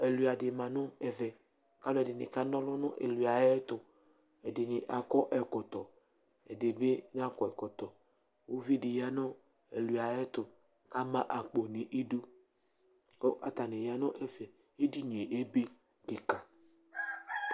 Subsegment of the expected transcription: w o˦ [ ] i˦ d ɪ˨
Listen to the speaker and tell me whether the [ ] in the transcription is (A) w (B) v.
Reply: B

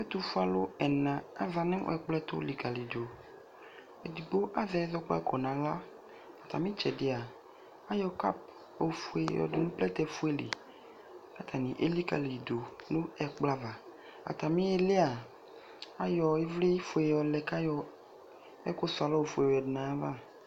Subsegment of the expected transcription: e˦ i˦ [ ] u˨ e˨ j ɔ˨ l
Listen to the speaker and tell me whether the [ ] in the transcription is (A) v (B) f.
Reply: B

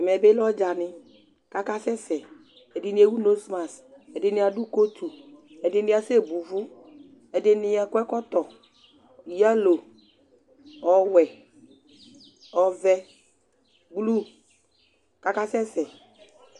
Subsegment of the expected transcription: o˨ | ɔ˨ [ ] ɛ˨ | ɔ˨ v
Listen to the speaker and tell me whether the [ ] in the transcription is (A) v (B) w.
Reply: B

